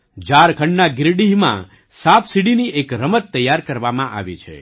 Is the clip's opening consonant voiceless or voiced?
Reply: voiced